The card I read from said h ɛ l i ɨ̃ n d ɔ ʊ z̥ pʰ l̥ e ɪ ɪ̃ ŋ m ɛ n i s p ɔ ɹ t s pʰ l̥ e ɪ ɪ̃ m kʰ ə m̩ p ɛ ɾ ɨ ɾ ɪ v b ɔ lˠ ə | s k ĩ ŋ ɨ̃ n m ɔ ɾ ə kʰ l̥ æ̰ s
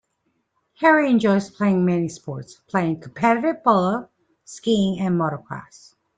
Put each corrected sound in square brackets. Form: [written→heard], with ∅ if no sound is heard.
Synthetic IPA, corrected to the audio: h ɛ [l→ɹ] i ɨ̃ n [d→d͡ʒ] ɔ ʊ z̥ pʰ l̥ e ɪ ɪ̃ ŋ m ɛ n i s p ɔ ɹ t s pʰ l̥ e ɪ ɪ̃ [m→ŋ] kʰ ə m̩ [p→pʰ] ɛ ɾ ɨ ɾ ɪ v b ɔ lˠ ə | s k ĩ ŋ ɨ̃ n m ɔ ɾ ə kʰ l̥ æ̰ s